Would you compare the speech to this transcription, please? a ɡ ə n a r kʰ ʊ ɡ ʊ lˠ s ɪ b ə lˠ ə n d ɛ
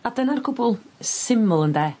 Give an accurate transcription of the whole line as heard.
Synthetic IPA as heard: a d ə n a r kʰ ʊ b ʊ lˠ s ɪ m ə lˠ ə n d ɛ